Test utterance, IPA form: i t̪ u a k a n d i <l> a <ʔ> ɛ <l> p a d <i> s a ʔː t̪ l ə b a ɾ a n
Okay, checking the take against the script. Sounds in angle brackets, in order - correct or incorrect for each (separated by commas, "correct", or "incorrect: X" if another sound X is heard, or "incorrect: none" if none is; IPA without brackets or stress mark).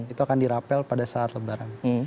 incorrect: ɾ, incorrect: p, correct, incorrect: a